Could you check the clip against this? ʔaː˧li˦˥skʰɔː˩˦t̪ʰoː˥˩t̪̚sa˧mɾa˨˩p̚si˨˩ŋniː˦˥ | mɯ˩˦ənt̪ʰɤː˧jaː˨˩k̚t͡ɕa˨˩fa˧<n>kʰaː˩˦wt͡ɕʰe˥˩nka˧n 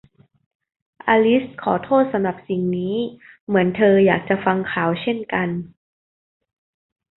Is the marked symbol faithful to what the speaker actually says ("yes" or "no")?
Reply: no